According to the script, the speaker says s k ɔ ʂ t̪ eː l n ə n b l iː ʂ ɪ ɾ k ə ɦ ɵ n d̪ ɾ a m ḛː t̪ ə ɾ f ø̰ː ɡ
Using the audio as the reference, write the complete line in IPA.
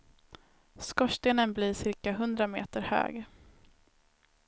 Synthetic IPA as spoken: s k ɔ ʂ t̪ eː n ə n b l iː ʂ ɪ ɾ k a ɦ ɵ n d̪ ɾ a m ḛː t̪ ə ɾ h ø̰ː ɡ